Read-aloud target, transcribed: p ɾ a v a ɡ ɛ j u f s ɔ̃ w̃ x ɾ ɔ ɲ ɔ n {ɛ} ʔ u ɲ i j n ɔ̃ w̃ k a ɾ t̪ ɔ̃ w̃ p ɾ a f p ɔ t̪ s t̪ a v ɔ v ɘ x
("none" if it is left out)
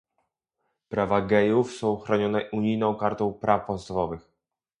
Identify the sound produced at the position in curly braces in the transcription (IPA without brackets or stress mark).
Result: ɛ